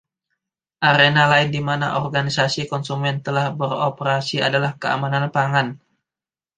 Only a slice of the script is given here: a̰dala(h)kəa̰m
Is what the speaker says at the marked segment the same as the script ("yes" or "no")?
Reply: yes